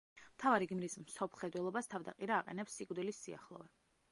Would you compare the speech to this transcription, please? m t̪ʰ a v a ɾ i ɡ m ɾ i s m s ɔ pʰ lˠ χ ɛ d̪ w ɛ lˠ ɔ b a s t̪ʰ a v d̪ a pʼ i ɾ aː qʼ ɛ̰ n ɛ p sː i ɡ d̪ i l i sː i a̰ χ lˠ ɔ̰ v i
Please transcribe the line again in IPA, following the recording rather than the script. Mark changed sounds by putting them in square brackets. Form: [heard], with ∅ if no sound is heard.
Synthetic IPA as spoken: m t̪ʰ a v a ɾ i ɡ m ɾ i s m s ɔ pʰ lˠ χ ɛ d̪ w ɛ lˠ ɔ b a s t̪ʰ a v d̪ a [qʼ] i ɾ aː qʼ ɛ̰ n ɛ p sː i ɡ d̪ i l i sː i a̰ χ lˠ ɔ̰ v [ɛ]